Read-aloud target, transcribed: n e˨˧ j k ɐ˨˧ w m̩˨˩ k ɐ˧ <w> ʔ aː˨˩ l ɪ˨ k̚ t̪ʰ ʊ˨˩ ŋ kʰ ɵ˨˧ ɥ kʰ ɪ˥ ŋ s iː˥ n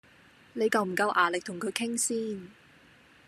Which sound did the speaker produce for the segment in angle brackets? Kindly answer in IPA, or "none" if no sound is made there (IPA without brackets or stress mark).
w